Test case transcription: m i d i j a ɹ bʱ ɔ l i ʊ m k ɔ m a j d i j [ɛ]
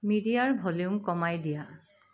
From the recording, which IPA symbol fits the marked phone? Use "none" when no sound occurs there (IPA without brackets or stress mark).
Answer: a